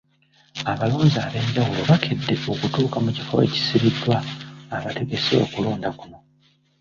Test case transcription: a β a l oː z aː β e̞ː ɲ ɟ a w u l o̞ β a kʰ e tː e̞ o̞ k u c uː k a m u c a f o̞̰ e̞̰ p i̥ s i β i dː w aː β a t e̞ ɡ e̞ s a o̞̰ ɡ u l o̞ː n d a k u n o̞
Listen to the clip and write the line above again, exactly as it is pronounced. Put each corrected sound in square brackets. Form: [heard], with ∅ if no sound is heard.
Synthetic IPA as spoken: a β a l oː z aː β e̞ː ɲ ɟ a w u l o̞ β a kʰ e [dː] e̞ o̞ k u [t] uː k a m u c [i] f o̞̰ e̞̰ [c] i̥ s i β i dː w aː β a t e̞ ɡ e̞ s [e] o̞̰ [k] u l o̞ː n d a k u n o̞